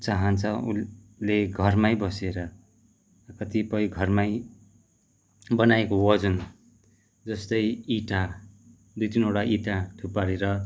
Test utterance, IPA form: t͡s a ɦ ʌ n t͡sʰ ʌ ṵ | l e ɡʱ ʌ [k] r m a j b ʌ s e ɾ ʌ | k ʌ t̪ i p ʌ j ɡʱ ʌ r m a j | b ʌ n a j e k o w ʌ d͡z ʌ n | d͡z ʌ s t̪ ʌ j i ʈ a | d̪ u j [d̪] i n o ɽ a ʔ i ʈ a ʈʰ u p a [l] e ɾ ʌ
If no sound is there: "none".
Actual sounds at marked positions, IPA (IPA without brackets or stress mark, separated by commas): none, t̪, ɾ